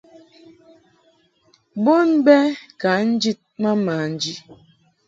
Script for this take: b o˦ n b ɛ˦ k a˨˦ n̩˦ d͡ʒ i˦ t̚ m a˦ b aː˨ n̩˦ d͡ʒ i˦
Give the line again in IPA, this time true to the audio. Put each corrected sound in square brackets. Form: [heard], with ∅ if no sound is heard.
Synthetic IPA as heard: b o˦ n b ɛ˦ k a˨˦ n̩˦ d͡ʒ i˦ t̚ m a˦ [m] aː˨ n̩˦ d͡ʒ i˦

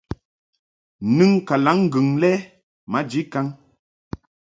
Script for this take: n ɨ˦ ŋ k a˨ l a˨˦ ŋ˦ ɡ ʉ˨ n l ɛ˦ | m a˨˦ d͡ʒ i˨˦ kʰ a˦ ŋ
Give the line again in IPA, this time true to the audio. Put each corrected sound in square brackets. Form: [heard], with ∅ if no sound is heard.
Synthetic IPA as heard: n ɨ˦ ŋ k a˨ l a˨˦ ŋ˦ ɡ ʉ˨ [ŋ] l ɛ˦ | m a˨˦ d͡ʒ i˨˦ [k] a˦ ŋ

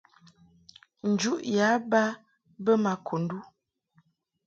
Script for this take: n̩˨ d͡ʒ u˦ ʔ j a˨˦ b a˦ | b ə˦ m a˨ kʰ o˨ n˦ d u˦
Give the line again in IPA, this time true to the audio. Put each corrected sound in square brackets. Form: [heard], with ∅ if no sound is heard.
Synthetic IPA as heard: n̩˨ d͡ʒ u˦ ʔ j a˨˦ b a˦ | b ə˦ m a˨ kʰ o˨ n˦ d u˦

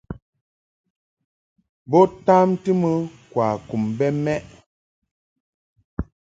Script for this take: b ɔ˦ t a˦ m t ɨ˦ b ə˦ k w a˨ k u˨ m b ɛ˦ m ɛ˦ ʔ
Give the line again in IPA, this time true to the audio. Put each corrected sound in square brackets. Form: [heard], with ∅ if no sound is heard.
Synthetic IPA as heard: b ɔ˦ t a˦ m t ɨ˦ [m] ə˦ k w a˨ k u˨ m b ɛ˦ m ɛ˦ ʔ

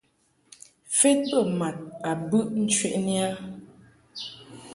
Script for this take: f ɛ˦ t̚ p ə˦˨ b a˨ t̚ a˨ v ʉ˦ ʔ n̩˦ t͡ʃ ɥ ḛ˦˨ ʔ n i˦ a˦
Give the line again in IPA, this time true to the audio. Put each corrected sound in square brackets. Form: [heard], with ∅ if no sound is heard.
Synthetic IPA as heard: f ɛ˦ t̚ p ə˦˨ [m] a˨ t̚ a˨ [b] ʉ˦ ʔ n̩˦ t͡ʃ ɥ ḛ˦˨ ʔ n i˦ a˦

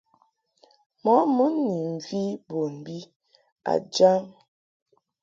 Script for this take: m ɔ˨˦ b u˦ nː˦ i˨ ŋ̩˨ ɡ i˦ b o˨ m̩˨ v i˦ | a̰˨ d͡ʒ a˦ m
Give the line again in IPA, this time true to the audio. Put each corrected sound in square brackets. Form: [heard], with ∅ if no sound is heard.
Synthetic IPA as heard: m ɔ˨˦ [m] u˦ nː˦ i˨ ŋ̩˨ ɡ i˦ b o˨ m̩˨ [b] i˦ | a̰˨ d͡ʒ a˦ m

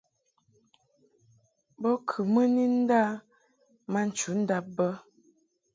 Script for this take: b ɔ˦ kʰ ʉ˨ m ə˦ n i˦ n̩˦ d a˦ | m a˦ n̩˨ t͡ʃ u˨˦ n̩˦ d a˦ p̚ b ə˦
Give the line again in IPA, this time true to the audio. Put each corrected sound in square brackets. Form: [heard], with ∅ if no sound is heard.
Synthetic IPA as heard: b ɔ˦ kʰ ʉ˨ m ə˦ n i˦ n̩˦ d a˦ | m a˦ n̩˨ t͡ʃ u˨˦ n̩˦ d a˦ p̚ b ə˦

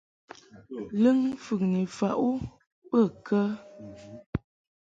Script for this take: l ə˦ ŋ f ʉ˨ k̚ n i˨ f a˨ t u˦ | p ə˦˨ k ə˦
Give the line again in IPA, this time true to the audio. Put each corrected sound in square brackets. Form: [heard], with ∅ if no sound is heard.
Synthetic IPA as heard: l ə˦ ŋ f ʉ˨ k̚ n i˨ f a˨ [ʔ] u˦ | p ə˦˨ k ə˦

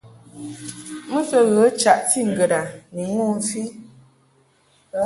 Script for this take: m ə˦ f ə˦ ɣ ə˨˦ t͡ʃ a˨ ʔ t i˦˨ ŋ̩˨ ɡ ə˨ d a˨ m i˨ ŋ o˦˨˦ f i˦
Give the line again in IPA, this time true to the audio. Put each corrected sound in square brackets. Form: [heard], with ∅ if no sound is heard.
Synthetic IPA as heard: m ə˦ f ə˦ ɣ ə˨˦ t͡ʃ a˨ ʔ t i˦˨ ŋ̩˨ ɡ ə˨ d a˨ [n] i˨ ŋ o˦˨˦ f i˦

